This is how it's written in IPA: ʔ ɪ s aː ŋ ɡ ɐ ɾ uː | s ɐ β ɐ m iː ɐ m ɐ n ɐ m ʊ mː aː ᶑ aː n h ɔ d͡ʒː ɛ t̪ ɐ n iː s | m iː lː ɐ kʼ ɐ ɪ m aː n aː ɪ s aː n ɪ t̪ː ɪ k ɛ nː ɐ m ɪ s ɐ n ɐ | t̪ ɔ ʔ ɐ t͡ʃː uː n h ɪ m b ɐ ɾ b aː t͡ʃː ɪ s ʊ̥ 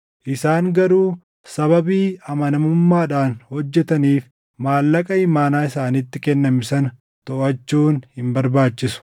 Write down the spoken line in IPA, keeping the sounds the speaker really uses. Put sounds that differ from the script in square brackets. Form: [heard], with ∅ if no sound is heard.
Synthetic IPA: ʔ ɪ s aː ŋ ɡ ɐ ɾ uː | s ɐ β ɐ [b] iː ɐ m ɐ n ɐ m ʊ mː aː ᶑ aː n h ɔ d͡ʒː ɛ t̪ ɐ n iː [f] | m [aː] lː ɐ kʼ ɐ ɪ m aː n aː ɪ s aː n ɪ t̪ː ɪ k ɛ nː ɐ m ɪ s ɐ n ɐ | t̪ ɔ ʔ ɐ t͡ʃː uː n h ɪ m b ɐ ɾ b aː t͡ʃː ɪ s ʊ̥

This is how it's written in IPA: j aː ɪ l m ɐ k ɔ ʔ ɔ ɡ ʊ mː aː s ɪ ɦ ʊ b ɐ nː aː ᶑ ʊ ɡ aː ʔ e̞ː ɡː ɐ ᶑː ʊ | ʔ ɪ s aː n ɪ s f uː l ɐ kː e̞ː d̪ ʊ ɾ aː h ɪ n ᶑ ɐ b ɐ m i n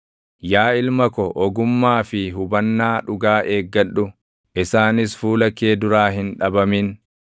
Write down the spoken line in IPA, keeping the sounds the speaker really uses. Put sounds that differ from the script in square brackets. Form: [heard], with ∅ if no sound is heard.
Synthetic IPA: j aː ɪ l m ɐ k ɔ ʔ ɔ ɡ ʊ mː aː [f] ɪ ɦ ʊ b ɐ nː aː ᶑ ʊ ɡ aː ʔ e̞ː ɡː ɐ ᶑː ʊ | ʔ ɪ s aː n ɪ s f uː l ɐ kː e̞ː d̪ ʊ ɾ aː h ɪ n ᶑ ɐ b ɐ m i n

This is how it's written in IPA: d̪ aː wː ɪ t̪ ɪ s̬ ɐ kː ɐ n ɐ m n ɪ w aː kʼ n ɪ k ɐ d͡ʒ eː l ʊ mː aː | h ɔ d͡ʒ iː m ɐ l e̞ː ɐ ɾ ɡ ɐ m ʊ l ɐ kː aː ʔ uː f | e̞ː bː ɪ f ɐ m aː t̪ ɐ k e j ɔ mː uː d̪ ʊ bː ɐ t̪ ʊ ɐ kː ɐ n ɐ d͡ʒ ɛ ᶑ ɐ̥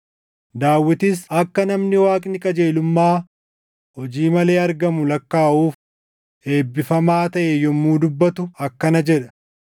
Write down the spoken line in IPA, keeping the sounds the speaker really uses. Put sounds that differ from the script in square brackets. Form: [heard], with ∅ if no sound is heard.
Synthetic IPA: d̪ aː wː ɪ t̪ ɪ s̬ ɐ kː ɐ n ɐ m n ɪ w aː kʼ n ɪ [kʼ] ɐ d͡ʒ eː l ʊ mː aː | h ɔ d͡ʒ iː m ɐ l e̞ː ɐ ɾ ɡ ɐ m ʊ l ɐ kː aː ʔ uː f | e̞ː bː ɪ f ɐ m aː t̪ ɐ [ʔ] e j ɔ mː uː d̪ ʊ bː ɐ t̪ ʊ ɐ kː ɐ n ɐ d͡ʒ ɛ ᶑ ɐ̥

